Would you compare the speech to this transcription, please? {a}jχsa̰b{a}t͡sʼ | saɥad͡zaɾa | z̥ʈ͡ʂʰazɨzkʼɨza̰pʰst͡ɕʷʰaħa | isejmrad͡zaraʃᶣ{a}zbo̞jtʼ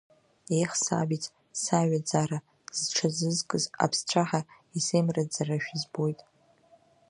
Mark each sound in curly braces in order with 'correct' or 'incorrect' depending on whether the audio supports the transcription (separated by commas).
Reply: incorrect, incorrect, incorrect